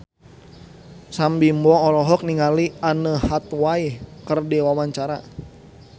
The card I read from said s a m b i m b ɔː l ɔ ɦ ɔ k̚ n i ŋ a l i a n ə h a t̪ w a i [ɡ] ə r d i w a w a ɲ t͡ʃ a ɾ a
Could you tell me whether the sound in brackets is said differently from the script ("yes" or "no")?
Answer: yes